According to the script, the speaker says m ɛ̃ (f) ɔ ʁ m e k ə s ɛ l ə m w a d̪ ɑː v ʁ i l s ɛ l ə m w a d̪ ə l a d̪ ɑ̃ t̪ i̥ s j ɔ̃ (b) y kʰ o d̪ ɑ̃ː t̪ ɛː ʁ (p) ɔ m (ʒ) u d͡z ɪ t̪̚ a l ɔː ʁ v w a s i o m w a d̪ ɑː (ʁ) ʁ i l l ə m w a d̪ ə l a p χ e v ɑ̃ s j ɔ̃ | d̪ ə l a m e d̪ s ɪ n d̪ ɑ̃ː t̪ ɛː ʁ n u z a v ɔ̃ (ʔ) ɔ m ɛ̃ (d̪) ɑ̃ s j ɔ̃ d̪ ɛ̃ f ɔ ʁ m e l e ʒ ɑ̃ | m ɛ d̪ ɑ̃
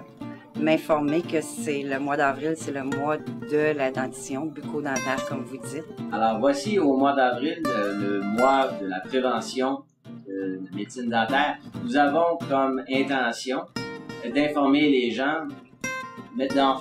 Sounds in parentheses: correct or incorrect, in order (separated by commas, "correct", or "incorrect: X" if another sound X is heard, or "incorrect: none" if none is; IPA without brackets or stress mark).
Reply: correct, correct, incorrect: k, incorrect: v, incorrect: v, incorrect: k, incorrect: t̪